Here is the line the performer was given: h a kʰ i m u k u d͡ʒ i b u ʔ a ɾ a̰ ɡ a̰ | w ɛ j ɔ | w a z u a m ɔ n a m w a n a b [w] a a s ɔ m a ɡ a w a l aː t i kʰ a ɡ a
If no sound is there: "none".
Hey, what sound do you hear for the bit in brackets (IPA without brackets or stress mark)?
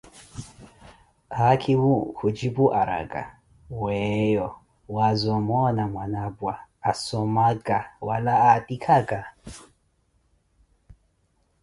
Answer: w